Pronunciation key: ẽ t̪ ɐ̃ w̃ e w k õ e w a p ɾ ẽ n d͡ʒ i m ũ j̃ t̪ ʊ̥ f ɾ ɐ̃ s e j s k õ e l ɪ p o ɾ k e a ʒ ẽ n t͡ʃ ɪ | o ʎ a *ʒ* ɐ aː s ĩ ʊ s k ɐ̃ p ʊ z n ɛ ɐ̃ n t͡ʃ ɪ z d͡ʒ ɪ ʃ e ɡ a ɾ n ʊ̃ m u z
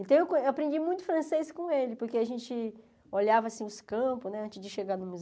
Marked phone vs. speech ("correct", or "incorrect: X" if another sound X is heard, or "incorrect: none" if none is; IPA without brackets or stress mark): incorrect: v